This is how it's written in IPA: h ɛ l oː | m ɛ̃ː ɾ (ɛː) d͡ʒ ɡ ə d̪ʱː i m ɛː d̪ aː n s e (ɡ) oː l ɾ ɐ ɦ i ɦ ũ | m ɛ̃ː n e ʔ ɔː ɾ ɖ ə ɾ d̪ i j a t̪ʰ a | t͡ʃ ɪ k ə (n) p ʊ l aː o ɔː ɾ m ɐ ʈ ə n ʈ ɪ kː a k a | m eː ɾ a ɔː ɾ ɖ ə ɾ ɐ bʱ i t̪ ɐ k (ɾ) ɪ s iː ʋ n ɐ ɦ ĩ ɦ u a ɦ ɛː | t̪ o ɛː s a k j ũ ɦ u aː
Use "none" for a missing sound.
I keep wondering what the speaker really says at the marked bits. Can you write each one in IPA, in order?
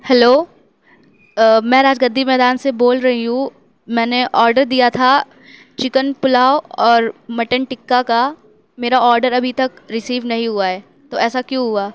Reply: aː, b, n, ɾ

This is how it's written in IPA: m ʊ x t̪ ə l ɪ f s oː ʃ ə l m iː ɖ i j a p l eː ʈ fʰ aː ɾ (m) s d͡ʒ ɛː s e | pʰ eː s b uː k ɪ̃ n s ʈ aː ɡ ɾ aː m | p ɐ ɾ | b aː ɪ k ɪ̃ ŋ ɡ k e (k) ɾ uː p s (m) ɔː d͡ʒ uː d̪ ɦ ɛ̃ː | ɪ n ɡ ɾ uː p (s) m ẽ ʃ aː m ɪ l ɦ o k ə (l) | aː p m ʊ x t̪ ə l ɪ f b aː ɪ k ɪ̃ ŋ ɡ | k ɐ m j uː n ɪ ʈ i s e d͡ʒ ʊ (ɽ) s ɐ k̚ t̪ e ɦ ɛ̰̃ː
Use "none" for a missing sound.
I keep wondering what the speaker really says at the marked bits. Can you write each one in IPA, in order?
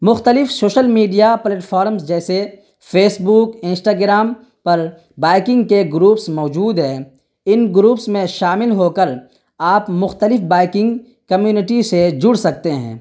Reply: m, ɡ, m, s, ɾ, ɽ

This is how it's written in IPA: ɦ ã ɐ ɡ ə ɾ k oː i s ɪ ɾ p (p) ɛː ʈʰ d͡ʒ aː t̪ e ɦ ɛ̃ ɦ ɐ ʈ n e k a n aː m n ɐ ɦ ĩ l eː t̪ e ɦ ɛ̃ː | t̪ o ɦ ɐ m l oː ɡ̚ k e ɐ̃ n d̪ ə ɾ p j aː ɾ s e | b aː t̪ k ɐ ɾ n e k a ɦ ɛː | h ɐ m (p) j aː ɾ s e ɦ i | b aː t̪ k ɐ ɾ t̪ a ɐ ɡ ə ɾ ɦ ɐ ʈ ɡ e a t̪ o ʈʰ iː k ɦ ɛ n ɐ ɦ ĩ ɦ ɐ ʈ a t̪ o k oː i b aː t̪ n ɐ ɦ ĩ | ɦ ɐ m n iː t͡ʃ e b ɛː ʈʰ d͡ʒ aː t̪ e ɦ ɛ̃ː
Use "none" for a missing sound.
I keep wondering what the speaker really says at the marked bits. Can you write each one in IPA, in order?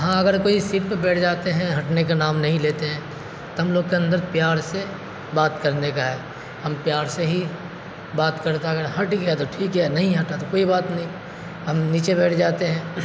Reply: b, p

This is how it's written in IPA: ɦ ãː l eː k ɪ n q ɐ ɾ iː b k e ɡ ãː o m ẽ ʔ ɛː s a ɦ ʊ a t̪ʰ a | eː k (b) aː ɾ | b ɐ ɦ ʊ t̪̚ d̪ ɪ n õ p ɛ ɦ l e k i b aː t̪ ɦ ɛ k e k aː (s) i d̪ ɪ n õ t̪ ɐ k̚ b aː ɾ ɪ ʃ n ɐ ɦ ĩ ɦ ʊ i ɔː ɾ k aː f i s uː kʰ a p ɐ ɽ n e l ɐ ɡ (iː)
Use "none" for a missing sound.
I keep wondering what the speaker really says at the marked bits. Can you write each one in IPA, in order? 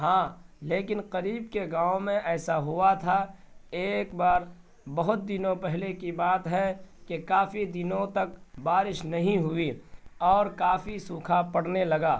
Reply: b, f, aː

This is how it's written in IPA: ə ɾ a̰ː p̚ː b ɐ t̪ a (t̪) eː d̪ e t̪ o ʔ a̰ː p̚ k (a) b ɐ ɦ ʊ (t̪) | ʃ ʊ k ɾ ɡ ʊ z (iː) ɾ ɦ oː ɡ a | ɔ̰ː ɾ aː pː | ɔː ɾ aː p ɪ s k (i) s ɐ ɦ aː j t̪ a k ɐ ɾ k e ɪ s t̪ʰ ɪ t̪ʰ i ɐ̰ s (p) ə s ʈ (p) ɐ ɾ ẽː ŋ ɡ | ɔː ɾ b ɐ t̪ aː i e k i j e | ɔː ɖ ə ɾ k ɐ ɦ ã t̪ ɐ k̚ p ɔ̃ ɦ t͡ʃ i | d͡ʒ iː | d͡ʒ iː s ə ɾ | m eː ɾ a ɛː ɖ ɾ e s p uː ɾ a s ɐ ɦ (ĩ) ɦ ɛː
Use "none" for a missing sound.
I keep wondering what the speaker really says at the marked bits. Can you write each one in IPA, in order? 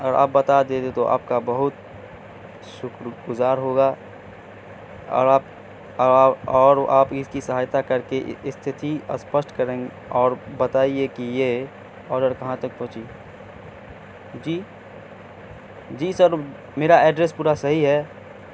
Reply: d̪, a, t̪, aː, i, p, k, i

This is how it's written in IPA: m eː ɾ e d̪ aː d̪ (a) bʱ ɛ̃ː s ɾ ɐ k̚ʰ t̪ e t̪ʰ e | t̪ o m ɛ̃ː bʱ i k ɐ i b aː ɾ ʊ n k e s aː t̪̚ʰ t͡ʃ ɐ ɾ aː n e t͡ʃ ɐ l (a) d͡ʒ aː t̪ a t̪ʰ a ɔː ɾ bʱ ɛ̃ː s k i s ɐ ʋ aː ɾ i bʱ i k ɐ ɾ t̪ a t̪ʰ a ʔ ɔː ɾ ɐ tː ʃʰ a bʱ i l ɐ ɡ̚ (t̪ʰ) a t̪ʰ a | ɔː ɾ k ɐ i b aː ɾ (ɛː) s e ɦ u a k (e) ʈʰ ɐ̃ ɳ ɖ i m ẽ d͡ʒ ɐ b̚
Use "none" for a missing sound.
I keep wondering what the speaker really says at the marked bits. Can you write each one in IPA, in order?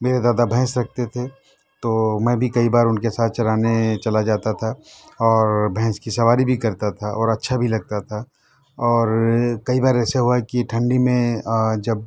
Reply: a, a, t̪, ɛː, i

